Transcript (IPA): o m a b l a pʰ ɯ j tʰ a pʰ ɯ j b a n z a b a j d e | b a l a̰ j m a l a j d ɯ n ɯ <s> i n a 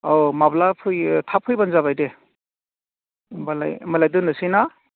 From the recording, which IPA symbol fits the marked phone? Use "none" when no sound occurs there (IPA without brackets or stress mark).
s